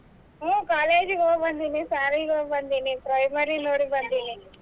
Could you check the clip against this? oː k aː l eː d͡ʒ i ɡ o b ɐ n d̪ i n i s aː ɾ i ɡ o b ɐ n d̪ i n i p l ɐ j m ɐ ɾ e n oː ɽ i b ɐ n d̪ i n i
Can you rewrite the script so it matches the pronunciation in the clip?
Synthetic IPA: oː k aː l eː d͡ʒ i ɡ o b ɐ n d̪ i n i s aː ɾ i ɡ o b ɐ n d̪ i n i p ɾ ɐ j m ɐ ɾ i n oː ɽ i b ɐ n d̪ i n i

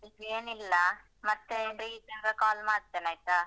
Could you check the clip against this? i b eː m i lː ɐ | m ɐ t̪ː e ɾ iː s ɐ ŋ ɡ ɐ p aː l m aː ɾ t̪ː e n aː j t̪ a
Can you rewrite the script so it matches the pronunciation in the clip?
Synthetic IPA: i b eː n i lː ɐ | m ɐ t̪ː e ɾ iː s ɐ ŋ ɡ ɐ k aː l m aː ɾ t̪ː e n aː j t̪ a

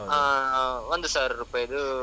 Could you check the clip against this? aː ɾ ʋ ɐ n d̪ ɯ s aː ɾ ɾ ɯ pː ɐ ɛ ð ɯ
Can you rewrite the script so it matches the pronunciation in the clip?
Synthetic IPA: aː ʋ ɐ n d̪ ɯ s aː ɾ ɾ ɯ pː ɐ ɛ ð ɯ

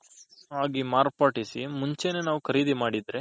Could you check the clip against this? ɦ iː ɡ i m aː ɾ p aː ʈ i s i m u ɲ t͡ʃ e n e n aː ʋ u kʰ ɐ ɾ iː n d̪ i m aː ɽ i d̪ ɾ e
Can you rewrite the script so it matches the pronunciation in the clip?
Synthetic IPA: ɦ aː ɡ i m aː ɾ p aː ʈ i s i m u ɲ t͡ʃ e n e n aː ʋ u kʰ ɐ ɾ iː d̪ i m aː ɽ i d̪ ɾ e

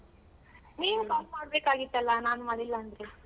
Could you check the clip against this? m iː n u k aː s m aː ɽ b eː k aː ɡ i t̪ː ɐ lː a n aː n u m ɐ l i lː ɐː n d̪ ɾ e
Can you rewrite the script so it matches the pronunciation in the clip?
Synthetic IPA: n iː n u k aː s m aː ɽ b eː k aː ɡ i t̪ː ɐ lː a n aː n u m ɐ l i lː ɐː n d̪ ɾ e

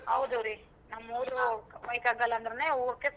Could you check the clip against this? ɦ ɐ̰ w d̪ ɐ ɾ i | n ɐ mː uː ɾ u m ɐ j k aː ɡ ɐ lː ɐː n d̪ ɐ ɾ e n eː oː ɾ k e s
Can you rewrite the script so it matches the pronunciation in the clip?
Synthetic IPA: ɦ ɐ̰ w d̪ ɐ ɾ i | n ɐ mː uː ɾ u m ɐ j k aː ɡ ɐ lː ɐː n d̪ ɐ ɾ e n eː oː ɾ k e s

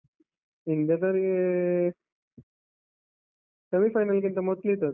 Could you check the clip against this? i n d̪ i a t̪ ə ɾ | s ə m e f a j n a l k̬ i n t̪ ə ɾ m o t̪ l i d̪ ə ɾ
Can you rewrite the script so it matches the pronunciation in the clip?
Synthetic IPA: i n d̪ j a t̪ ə ɾ | s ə m i f a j n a l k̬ i n t̪ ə m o t̪ l i t̪ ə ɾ

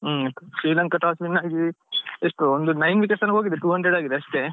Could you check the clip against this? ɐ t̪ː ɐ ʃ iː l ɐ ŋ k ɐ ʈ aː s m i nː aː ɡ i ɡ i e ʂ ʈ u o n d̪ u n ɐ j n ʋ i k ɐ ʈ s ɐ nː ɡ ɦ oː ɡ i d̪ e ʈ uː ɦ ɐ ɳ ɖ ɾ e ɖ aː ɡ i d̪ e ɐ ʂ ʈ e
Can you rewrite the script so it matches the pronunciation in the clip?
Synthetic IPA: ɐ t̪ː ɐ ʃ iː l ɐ ŋ k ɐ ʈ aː s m i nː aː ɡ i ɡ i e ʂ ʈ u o n d̪ u n ɐ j n ʋ i k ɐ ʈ s ɐ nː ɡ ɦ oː ɡ i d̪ e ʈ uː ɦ ɐ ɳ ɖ ɾ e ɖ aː ɡ i d̪ e ɐ ʂ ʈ e

